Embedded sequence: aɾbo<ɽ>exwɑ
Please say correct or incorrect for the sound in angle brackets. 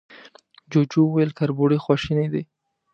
correct